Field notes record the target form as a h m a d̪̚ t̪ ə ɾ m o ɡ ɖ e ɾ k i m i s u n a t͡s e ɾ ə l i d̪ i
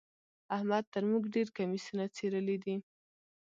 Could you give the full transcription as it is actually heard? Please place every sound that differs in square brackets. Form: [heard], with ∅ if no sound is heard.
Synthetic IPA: a h m a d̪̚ t̪ ə ɾ m [u] ɡ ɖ e ɾ k [a] m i s u n a t͡s e ɾ ə l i d̪ i

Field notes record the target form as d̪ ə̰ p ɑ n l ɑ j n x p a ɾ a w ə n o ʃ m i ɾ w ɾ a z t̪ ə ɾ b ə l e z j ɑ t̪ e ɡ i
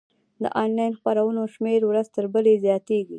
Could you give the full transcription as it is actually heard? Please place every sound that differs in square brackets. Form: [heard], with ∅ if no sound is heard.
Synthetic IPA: d̪ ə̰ [ʔ] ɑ n l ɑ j n x p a ɾ a w ə n o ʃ m [e] ɾ w ɾ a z t̪ ə ɾ b ə l e z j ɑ t̪ e ɡ i

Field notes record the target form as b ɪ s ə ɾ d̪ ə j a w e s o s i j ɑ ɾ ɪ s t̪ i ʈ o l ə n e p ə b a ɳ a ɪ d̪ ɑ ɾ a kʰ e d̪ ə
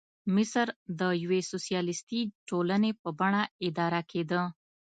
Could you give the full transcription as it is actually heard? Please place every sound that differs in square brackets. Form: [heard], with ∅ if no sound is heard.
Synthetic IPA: [m] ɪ s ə ɾ d̪ ə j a w e s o s i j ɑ [l] ɪ s t̪ i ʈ o l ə n e p ə b a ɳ a ɪ d̪ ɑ ɾ a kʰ e d̪ ə

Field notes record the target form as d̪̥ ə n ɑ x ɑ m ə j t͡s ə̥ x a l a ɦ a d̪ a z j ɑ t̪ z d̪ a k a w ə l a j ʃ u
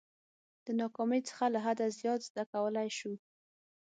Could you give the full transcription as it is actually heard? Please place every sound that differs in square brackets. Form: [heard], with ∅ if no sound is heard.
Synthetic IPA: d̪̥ ə n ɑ [k] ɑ m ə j t͡s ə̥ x a l a ɦ a d̪ a z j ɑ t̪ z d̪ a k a w ə l a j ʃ u

